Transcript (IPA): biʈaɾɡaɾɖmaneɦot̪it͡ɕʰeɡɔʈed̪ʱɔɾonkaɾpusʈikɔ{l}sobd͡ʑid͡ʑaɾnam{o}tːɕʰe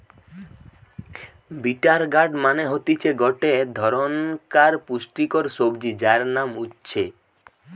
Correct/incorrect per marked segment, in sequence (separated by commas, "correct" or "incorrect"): incorrect, incorrect